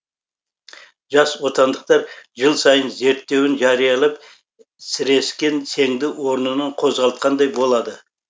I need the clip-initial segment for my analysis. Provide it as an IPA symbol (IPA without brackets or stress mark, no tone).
ʒ